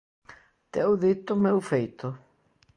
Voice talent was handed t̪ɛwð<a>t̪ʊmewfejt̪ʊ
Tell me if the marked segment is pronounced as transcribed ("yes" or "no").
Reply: no